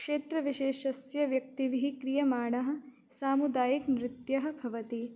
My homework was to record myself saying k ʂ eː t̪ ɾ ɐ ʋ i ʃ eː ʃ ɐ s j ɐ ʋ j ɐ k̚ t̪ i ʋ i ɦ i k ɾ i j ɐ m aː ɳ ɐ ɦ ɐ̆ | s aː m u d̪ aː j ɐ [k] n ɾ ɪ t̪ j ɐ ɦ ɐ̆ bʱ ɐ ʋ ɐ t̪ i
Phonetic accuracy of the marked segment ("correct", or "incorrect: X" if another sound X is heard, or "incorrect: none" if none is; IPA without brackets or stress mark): correct